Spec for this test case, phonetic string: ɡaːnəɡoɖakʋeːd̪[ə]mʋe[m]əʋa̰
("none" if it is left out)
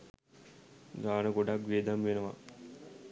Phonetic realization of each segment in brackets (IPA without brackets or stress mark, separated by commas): a, n